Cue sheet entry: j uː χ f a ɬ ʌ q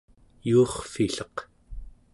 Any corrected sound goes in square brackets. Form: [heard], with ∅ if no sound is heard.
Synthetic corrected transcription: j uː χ f [i] ɬ ʌ q